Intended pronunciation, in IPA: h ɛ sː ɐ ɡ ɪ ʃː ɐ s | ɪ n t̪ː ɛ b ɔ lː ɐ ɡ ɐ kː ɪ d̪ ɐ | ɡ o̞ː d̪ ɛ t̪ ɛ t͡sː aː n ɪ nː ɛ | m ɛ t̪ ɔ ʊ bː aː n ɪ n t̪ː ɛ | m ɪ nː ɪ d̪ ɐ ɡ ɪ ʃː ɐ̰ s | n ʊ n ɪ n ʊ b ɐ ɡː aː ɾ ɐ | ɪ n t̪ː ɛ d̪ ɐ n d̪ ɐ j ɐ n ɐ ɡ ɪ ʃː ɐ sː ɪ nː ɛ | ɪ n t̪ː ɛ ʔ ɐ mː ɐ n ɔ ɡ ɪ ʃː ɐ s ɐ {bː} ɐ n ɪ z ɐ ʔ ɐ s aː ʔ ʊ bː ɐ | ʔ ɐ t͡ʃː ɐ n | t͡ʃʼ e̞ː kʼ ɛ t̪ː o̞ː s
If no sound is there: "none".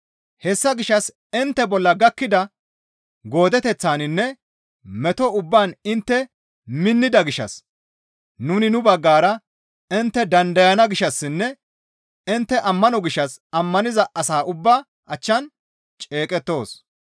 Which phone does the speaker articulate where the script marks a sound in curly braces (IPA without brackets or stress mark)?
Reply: mː